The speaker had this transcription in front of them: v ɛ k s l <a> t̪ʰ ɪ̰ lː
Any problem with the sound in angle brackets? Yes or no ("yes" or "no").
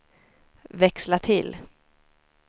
no